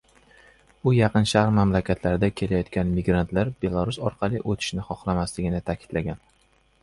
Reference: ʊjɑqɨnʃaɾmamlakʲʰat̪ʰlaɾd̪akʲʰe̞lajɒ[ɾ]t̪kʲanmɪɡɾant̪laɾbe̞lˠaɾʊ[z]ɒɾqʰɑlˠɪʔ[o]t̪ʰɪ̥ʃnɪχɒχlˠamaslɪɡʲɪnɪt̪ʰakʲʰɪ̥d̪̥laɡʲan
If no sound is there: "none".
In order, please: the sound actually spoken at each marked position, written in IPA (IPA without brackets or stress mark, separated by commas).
none, s, o